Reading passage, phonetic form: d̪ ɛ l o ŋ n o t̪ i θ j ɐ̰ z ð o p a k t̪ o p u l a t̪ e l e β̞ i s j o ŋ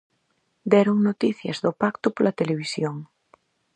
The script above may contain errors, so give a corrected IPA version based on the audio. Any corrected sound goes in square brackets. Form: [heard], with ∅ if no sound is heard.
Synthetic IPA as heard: d̪ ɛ [ɾ] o ŋ n o t̪ i θ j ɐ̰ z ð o p a k t̪ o p [o] l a t̪ e l e β̞ i s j o ŋ

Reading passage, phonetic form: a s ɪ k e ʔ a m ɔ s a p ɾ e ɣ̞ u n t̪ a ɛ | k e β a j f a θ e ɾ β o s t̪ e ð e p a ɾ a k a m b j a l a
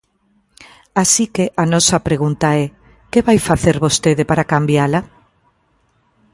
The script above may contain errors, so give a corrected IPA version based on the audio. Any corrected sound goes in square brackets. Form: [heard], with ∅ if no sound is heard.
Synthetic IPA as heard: a s [i] k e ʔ a [n] ɔ s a p ɾ e ɣ̞ u n t̪ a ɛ | k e β a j f a θ e ɾ β o s t̪ e ð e p a ɾ a k a m b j a l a

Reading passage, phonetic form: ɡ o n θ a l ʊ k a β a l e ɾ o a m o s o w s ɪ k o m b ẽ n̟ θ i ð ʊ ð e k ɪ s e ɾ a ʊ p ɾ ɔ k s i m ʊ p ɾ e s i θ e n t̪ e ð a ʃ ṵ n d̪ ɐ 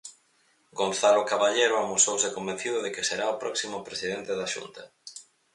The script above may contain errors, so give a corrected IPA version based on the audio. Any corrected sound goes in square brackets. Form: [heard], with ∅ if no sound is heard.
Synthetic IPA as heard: ɡ o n θ a l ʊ k a β a [ʎ] e ɾ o a m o s o w s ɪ k o m b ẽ n̟ θ i ð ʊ ð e k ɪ s e ɾ a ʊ p ɾ ɔ k s i m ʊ p ɾ e s i [ð] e n t̪ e ð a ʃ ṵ n [t̪] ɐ

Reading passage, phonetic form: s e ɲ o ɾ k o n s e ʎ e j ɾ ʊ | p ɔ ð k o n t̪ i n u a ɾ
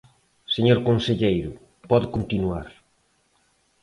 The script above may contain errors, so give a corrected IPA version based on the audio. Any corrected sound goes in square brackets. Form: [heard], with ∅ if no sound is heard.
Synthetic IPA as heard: s e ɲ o ɾ k o n s e ʎ e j ɾ ʊ | p ɔ ð k o n t̪ i n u a ɾ

